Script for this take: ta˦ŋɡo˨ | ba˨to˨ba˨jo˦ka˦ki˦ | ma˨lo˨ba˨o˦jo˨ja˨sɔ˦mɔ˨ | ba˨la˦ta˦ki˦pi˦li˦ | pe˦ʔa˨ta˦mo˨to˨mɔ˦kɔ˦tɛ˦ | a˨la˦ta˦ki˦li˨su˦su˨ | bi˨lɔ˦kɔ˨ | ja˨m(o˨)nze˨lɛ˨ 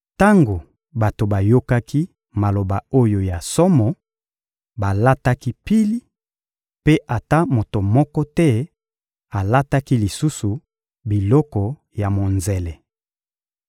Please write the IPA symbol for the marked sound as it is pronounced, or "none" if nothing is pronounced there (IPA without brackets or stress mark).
o˨